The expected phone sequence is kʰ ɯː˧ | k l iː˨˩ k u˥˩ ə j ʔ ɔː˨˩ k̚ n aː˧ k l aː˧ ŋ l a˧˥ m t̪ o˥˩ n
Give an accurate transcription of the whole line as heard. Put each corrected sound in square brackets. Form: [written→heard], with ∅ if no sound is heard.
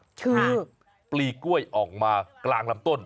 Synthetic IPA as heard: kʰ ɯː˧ | [k→p] l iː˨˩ k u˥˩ ə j ʔ ɔː˨˩ k̚ [n→m] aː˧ k l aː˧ ŋ l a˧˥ m t̪ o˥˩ n